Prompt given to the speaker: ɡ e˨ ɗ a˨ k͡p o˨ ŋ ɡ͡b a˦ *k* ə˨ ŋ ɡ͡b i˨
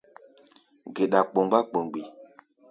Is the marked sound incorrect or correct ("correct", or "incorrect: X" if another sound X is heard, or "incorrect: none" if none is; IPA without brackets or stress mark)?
incorrect: k͡p